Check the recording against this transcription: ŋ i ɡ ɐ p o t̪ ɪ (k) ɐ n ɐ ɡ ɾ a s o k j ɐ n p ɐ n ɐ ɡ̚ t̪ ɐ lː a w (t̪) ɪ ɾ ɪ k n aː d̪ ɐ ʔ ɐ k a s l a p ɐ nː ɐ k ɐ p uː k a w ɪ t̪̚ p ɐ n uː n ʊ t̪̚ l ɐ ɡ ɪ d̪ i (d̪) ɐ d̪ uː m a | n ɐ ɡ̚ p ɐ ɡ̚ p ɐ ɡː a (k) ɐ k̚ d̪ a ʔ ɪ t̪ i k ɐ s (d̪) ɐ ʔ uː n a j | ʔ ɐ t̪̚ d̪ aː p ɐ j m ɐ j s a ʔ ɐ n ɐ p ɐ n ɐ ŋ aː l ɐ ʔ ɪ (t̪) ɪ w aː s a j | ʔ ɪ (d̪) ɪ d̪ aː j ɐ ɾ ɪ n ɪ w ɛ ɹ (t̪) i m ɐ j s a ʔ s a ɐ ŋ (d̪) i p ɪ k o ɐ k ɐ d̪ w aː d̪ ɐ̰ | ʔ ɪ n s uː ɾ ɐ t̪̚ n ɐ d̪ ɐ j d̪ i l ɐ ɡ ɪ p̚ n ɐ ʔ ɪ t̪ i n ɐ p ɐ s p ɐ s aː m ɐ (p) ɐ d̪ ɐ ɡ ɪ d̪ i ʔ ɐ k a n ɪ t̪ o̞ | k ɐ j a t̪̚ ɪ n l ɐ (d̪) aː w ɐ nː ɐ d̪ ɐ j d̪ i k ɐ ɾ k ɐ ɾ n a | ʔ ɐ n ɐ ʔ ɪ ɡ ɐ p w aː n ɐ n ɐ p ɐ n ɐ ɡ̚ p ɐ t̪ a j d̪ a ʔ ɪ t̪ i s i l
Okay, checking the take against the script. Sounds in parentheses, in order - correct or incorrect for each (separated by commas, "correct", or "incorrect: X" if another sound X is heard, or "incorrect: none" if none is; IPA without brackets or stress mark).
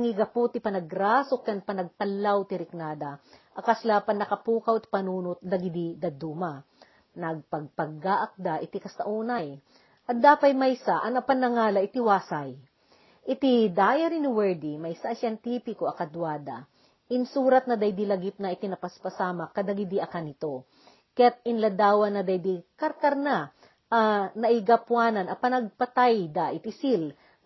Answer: incorrect: p, correct, correct, incorrect: ʔ, incorrect: t̪, correct, incorrect: t̪, incorrect: d̪, incorrect: t̪, incorrect: k, correct